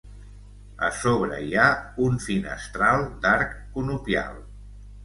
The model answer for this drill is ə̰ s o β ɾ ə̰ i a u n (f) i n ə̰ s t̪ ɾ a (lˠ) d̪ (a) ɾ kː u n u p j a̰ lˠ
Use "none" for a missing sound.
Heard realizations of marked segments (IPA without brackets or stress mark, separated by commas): f, lˠ, a